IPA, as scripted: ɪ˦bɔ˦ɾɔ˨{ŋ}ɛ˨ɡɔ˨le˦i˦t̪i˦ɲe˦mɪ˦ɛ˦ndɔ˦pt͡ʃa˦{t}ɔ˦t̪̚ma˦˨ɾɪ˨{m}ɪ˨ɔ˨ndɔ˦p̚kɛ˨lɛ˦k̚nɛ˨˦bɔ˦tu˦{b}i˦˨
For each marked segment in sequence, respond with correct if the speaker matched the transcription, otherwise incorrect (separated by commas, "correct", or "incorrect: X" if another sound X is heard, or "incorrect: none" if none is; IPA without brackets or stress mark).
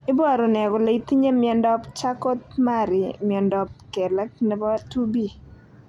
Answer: incorrect: n, incorrect: k, correct, correct